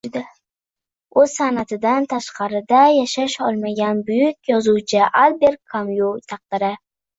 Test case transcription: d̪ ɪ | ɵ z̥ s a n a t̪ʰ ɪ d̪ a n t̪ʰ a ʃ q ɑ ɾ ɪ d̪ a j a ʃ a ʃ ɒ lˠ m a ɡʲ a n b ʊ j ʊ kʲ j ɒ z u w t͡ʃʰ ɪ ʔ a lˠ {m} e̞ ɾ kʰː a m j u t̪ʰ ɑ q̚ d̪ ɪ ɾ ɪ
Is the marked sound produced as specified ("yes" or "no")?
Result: no